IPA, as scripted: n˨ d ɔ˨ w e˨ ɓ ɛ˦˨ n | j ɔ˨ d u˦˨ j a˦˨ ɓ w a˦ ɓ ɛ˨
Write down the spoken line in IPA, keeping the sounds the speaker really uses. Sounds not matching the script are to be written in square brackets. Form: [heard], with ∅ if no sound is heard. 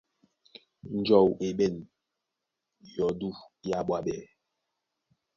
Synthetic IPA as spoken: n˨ [d͡ʒ] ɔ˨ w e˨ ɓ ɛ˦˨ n | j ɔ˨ d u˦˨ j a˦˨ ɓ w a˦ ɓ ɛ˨